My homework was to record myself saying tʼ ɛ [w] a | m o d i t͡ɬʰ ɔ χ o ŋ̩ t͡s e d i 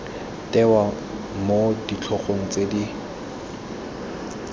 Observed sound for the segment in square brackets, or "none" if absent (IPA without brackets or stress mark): w